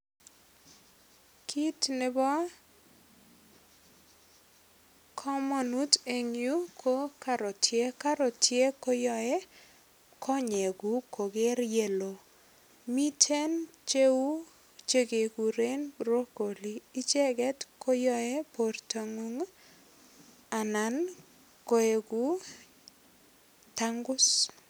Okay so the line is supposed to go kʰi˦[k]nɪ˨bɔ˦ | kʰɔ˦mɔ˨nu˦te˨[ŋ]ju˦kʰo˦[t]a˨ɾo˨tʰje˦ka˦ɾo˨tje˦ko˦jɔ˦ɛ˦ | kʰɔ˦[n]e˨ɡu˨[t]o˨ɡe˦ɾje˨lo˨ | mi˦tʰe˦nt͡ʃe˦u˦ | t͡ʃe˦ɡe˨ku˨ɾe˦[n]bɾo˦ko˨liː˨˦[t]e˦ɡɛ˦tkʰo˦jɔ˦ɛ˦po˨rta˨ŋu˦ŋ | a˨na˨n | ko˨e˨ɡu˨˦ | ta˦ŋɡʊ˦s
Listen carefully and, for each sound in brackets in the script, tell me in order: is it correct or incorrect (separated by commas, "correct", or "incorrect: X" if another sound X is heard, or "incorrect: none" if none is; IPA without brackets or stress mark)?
incorrect: t, correct, incorrect: k, incorrect: ɲ, incorrect: k, correct, incorrect: t͡ʃ